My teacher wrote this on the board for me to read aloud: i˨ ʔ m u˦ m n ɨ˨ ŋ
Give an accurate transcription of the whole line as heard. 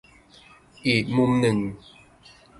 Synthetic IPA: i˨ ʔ m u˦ m n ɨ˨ ŋ